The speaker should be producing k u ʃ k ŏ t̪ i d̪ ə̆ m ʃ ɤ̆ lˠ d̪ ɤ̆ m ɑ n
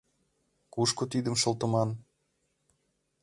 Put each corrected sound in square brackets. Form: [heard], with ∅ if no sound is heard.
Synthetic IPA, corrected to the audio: k u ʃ k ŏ t̪ i d̪ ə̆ m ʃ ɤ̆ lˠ [t̪] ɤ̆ m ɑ n